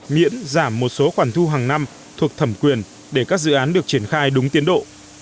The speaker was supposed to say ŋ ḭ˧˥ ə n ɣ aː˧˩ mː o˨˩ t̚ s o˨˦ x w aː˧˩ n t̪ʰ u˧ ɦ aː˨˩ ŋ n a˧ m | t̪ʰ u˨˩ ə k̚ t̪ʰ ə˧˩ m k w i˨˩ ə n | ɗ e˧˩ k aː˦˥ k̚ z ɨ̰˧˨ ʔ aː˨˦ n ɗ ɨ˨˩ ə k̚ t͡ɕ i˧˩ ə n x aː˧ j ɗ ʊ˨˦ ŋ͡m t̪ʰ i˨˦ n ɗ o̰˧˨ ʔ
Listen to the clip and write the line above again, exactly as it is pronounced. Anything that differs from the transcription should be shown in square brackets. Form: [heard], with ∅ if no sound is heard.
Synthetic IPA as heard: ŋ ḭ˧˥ ə n [z] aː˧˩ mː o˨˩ t̚ s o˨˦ x w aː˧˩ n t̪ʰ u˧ ɦ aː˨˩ ŋ n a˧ m | t̪ʰ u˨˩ ə k̚ t̪ʰ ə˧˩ m k w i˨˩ ə n | ɗ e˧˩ k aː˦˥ k̚ z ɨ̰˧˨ ʔ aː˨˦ n ɗ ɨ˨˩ ə k̚ t͡ɕ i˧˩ ə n x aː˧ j ɗ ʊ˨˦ ŋ͡m [t̪] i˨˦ n ɗ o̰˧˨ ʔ